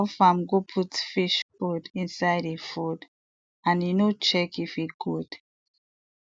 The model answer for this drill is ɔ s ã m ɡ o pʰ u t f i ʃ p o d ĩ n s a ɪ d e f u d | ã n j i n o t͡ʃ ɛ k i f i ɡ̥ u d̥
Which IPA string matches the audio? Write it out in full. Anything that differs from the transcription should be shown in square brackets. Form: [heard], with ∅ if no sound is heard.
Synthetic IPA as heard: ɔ [f] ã m ɡ o pʰ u t f i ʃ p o d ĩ n s a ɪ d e f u d | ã n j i n o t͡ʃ ɛ k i f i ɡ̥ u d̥